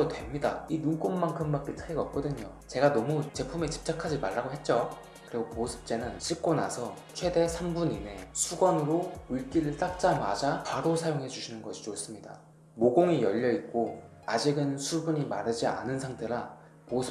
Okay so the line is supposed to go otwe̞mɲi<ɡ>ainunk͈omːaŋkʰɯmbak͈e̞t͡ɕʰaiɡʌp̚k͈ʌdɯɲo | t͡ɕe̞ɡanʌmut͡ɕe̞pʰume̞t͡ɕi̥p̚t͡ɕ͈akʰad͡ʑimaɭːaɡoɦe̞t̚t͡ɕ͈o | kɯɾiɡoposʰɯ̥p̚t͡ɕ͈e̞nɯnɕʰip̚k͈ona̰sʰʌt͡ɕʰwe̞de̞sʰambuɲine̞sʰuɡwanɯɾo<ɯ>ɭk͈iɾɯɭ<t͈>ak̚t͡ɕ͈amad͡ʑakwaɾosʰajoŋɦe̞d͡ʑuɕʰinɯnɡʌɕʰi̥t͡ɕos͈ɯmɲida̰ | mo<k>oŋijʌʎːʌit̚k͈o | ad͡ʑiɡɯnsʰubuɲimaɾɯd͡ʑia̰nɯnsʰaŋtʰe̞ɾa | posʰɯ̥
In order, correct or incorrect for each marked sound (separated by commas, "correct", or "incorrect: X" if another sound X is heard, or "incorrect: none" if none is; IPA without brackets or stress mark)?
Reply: incorrect: d, incorrect: u, correct, incorrect: ɡ